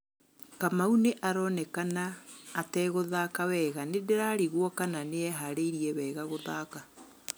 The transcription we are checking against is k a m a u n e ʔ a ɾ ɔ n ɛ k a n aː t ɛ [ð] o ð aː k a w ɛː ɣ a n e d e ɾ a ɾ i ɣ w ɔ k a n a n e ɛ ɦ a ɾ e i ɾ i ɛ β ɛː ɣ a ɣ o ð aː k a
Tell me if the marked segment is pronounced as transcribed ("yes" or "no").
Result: no